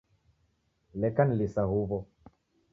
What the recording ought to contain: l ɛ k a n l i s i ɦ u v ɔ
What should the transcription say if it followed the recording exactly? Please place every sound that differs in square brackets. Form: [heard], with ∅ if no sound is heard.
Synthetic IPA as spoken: l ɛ k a n l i s [a] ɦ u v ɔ